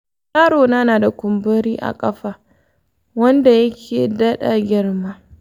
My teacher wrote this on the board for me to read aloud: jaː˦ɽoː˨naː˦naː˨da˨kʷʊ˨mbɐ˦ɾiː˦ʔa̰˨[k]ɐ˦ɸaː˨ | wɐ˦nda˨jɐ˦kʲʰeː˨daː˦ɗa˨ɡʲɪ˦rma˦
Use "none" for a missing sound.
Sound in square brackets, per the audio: kʼ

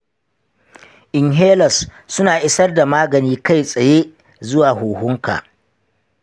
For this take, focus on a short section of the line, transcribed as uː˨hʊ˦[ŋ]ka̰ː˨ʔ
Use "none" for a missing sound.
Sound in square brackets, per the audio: ŋ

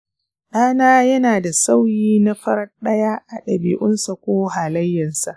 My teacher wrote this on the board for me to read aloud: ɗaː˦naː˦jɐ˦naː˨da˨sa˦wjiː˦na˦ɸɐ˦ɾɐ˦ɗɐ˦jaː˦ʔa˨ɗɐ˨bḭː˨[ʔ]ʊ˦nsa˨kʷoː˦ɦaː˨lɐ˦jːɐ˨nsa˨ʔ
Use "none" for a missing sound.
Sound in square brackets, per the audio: ʔ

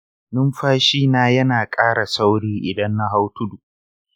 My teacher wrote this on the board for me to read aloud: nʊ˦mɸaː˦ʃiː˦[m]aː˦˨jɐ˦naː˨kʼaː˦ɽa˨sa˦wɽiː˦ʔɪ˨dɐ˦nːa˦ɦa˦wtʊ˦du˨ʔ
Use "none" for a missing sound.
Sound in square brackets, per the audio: n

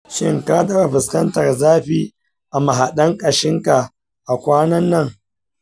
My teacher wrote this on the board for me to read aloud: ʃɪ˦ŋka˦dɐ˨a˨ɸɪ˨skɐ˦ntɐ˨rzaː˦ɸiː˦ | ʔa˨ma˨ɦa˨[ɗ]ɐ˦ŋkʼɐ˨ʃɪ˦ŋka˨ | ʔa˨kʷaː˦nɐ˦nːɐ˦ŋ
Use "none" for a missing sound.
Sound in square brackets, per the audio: ɗ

